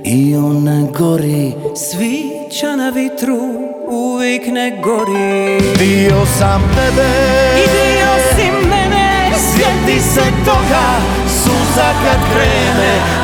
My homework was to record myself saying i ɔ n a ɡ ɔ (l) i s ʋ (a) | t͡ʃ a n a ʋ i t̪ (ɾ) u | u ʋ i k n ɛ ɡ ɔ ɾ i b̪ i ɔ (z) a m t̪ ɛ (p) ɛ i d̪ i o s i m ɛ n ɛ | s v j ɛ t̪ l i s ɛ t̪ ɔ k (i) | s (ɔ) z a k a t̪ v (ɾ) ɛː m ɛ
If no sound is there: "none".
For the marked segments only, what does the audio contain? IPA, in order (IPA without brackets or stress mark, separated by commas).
ɾ, i, ɾ, s, b, a, u, ɾ